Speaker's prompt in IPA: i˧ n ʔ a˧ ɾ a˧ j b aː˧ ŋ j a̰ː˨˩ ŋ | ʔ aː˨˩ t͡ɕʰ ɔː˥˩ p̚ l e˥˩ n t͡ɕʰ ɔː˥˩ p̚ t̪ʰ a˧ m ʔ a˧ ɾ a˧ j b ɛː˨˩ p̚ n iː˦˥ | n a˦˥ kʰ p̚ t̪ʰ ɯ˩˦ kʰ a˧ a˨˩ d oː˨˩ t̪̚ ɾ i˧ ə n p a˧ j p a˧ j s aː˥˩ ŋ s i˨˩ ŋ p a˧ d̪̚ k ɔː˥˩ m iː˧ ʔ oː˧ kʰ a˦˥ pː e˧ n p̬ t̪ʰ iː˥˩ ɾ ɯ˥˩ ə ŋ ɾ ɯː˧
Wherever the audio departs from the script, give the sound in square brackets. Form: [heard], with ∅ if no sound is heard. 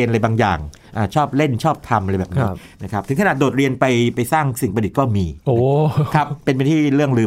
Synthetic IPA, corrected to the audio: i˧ n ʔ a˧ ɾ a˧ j b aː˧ ŋ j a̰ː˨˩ ŋ | ʔ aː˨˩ t͡ɕʰ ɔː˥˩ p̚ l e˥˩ n t͡ɕʰ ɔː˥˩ p̚ t̪ʰ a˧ m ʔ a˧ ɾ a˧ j b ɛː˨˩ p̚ n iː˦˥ | n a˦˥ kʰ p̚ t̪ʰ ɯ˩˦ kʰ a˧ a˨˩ d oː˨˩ t̪̚ ɾ i˧ ə n p a˧ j p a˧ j s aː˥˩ ŋ s i˨˩ ŋ p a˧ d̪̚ k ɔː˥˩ m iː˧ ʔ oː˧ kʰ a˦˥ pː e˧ n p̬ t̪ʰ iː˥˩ ɾ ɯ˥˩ ə ŋ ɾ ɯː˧